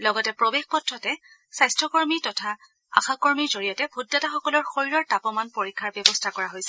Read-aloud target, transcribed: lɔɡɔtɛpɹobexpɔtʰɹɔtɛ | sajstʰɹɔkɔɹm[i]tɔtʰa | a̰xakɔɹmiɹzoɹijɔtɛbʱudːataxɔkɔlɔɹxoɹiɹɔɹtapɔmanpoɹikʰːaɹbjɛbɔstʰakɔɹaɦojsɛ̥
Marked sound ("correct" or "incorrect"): correct